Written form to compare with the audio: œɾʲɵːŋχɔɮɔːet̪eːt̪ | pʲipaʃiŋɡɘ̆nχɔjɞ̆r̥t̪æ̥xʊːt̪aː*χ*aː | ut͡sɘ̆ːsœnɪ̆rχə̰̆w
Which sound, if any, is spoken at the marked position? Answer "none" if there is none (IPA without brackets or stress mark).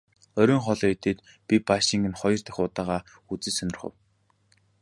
ʁ